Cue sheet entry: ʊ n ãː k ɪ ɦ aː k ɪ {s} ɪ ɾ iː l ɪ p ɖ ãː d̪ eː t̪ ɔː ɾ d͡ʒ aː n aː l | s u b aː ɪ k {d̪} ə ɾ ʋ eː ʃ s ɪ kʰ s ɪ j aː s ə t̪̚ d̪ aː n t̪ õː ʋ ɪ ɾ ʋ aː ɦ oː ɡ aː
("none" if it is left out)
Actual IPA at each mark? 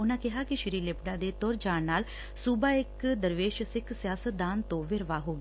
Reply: ʃ, d̪

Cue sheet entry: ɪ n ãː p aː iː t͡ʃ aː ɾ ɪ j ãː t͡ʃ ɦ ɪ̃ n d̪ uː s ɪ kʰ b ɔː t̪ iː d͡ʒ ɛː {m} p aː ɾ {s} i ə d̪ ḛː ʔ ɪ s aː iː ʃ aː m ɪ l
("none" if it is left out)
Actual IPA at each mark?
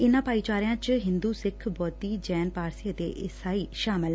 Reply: n, s

